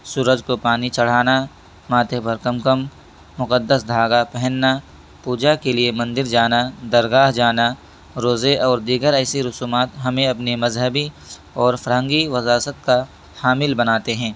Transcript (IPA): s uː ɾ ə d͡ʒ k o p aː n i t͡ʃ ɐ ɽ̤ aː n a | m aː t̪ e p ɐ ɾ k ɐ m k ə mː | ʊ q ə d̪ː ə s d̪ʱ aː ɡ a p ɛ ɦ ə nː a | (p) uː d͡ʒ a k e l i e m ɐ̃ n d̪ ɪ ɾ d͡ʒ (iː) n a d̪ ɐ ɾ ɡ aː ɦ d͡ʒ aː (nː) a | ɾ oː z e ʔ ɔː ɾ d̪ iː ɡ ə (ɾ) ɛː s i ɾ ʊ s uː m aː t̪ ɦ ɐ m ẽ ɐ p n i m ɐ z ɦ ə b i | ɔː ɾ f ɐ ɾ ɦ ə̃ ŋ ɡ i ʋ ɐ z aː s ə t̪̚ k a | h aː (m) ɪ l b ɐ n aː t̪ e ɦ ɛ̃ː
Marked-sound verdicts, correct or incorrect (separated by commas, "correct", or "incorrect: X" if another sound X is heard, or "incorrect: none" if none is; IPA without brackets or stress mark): correct, incorrect: aː, incorrect: n, correct, correct